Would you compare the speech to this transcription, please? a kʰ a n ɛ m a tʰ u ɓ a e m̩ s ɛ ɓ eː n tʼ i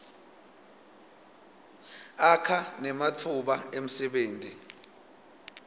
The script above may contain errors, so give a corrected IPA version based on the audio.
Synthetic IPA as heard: a kʰ a n ɛ m a tʰ u ɓ a e m̩ s ɛ ɓ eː n tʼ i